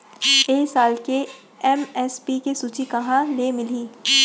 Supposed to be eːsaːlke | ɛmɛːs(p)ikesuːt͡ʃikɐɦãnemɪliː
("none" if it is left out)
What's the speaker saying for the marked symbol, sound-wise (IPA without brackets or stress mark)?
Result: p